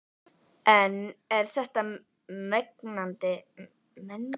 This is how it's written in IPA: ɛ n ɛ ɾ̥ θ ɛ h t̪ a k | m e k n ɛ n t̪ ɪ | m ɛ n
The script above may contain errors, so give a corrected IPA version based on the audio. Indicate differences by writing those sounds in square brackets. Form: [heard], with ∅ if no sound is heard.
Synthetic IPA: ɛ n ɛ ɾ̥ θ ɛ h t̪ a [∅] | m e k n [a] n t̪ ɪ | m ɛ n